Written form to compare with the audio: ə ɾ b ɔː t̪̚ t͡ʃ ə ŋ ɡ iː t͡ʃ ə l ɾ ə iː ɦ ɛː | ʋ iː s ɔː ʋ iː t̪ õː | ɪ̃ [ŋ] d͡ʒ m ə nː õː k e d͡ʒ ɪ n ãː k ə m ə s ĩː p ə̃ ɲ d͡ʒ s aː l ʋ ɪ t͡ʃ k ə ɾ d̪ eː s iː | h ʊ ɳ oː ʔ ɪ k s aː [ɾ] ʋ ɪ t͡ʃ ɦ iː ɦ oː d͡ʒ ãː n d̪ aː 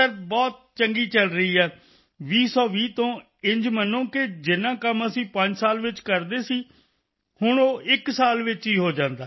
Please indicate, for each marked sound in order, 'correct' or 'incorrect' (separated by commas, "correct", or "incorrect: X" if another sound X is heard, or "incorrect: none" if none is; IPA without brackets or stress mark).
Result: incorrect: ɲ, incorrect: l